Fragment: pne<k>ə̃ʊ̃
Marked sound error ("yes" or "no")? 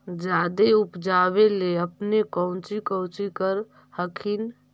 no